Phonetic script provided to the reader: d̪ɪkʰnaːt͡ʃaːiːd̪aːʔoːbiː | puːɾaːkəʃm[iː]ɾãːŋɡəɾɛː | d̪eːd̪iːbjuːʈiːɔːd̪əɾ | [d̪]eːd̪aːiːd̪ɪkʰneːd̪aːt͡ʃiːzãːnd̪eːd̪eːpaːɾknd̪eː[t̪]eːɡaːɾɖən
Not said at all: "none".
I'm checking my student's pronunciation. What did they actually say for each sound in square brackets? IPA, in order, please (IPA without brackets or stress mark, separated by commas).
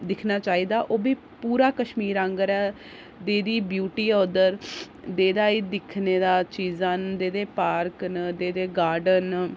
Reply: iː, d̪, d̪